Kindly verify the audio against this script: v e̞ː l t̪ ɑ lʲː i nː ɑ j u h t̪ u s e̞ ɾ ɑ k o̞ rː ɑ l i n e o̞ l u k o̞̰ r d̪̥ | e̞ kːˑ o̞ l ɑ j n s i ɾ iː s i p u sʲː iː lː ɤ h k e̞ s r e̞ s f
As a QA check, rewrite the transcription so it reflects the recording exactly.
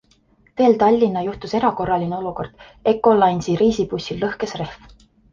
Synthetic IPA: v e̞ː l t̪ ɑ lʲː i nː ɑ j u h t̪ u s e̞ ɾ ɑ k o̞ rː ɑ l i n e o̞ l u k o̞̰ r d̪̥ | e̞ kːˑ o̞ l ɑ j n s i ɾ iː s i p u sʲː i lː ɤ h k e̞ s r e̞ h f